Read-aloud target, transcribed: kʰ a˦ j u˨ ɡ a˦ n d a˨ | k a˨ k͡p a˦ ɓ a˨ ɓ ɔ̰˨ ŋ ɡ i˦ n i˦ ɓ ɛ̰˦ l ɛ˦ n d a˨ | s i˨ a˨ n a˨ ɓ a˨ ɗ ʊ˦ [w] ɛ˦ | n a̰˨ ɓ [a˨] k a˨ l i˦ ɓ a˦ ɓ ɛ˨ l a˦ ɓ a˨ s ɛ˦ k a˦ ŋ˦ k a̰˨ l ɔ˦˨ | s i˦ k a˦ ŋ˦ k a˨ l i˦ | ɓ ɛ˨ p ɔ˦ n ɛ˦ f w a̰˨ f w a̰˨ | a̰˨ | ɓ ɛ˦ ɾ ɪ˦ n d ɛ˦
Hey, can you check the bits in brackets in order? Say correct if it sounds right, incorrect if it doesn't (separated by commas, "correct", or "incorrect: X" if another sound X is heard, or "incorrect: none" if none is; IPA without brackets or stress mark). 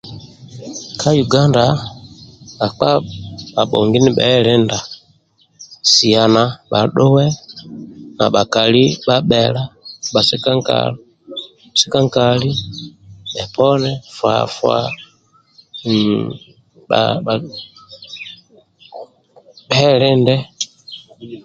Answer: correct, correct